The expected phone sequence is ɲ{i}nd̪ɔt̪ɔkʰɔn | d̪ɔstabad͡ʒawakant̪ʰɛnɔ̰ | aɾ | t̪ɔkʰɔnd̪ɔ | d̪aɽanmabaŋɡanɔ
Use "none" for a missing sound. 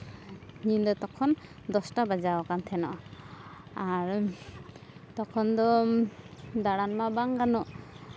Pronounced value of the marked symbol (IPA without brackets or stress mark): i